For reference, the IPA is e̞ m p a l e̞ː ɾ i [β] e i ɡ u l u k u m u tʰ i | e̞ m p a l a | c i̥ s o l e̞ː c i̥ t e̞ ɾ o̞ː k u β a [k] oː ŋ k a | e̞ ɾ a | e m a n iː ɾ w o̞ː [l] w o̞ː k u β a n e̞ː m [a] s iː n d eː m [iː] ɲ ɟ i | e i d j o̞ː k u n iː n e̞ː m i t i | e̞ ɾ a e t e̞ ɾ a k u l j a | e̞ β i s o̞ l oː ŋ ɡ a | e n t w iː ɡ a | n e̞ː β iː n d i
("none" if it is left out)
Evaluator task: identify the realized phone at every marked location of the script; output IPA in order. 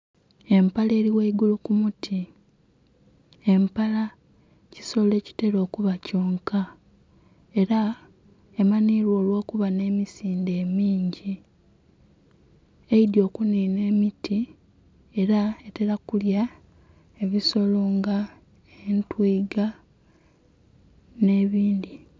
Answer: w, c, l, i, iː

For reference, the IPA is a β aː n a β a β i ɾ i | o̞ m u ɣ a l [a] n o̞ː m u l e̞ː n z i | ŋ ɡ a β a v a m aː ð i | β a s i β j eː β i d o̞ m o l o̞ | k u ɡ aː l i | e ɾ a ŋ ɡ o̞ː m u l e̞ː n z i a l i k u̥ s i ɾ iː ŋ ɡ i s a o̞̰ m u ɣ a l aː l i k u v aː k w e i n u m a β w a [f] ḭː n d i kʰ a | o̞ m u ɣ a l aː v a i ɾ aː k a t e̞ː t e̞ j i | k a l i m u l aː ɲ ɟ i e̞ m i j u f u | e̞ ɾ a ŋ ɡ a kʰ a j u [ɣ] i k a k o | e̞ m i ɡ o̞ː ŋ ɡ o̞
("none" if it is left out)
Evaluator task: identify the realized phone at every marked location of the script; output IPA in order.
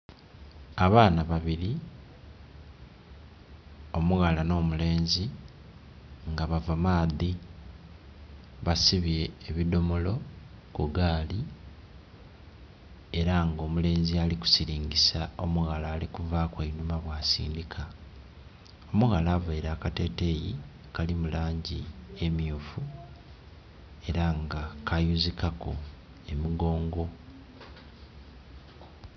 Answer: a, s, z

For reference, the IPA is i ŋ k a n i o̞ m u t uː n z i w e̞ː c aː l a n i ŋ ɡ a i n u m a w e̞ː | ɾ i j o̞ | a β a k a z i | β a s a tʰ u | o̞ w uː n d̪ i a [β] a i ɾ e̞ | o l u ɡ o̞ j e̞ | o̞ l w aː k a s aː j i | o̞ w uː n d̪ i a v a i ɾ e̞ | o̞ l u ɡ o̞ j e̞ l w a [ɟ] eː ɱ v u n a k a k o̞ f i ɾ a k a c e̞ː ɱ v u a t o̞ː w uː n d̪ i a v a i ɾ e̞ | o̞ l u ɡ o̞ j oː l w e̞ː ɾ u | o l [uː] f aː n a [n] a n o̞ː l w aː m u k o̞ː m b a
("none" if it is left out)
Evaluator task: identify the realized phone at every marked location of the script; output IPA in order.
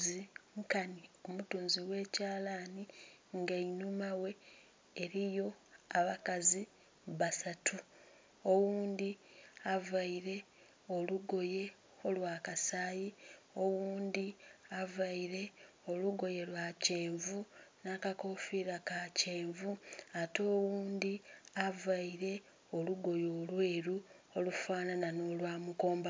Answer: v, c, u, n

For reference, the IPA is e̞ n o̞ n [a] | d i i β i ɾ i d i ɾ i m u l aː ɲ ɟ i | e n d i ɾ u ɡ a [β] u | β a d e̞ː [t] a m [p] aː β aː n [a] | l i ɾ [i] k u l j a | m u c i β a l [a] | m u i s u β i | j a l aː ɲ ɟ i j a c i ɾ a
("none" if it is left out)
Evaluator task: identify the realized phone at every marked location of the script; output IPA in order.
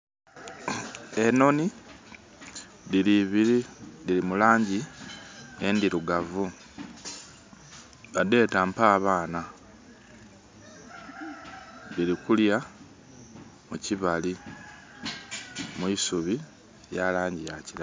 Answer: i, v, t, p, a, i, i

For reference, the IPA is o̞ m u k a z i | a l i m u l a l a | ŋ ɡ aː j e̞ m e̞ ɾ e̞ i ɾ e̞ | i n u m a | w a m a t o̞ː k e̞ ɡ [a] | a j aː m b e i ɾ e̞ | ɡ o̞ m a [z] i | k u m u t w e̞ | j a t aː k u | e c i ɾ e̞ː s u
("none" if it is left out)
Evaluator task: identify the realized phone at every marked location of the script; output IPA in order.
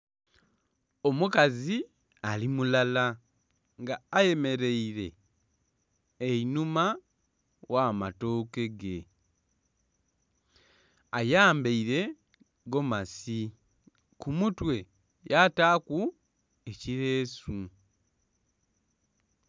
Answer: e, s

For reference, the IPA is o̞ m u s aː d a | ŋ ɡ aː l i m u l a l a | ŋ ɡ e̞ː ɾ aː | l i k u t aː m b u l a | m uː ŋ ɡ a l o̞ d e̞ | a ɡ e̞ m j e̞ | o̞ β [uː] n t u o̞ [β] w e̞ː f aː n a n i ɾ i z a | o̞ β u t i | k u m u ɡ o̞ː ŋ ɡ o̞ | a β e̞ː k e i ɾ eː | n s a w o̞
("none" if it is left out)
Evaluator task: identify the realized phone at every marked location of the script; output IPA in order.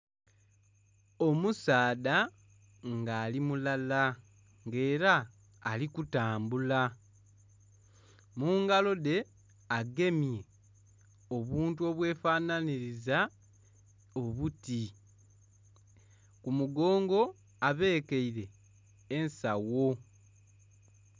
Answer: uː, β

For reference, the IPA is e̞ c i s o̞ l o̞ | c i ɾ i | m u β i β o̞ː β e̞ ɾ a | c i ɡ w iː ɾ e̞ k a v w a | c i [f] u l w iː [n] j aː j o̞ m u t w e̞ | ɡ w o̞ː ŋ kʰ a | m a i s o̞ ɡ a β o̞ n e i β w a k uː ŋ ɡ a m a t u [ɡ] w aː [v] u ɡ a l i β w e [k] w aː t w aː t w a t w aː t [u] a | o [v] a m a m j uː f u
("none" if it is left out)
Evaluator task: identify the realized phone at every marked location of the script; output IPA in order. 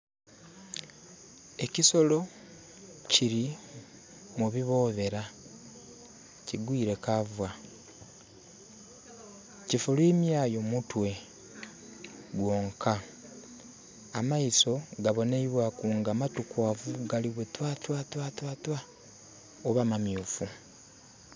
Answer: f, m, k, v, t, w, β

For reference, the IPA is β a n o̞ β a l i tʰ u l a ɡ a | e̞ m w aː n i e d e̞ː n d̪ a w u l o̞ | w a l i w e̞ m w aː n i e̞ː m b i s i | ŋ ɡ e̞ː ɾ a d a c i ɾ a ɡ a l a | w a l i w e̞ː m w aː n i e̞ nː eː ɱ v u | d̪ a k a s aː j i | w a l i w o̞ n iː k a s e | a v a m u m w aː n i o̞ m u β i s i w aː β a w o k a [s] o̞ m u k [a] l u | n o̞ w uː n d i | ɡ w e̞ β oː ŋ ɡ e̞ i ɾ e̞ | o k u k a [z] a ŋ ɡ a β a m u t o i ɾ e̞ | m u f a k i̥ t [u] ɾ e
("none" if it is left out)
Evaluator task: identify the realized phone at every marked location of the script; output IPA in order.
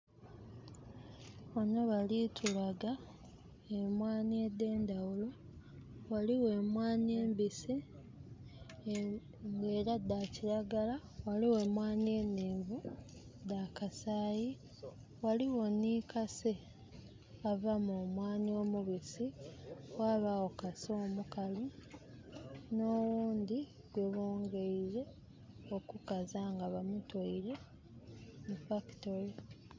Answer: s, a, z, o

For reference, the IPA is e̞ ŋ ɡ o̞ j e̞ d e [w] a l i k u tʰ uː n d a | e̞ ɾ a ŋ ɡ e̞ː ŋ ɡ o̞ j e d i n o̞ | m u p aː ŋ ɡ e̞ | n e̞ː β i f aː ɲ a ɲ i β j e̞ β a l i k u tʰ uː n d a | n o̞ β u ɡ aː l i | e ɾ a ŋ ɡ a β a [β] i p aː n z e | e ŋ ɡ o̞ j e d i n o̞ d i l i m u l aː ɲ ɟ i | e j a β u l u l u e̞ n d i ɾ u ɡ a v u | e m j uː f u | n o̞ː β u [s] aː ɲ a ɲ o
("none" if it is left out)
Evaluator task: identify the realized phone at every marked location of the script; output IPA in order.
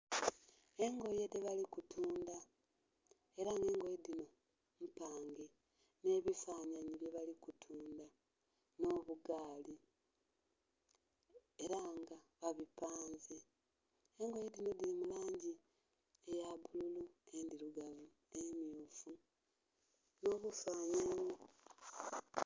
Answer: β, β, f

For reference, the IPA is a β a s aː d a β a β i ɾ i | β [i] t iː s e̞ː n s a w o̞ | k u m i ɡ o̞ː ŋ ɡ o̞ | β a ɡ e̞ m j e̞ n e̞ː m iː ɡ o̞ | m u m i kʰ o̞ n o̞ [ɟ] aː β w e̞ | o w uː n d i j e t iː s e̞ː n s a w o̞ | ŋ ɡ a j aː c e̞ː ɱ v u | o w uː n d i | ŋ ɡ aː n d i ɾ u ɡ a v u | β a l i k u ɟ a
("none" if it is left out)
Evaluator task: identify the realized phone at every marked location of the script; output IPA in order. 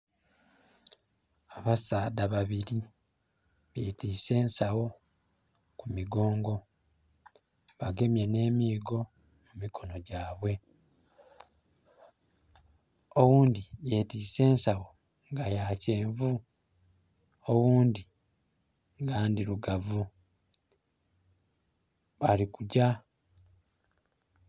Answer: e, ɟ

